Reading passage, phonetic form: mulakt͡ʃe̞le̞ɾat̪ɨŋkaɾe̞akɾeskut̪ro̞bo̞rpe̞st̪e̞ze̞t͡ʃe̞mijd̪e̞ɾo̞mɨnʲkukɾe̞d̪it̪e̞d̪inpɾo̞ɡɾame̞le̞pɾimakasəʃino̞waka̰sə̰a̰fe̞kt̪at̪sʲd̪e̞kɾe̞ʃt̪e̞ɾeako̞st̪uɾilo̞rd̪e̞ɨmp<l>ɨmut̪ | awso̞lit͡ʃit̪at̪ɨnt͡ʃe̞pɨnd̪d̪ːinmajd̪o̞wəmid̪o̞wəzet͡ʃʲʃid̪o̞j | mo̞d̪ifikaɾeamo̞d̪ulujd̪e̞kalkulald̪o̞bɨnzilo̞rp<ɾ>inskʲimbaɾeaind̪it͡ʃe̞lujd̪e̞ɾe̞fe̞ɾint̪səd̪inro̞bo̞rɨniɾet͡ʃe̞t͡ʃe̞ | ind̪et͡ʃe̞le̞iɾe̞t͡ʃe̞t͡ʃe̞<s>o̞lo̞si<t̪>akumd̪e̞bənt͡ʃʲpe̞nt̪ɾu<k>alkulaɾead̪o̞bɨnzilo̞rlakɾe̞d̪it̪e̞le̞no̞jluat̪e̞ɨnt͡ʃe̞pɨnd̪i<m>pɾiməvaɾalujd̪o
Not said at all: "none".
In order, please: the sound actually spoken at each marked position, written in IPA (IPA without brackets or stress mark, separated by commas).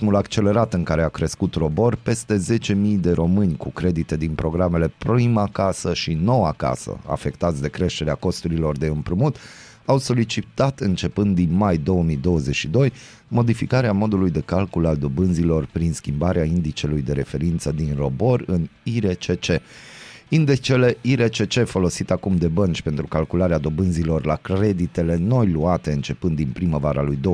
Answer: ɾ, ɾ, f, t̪, k, n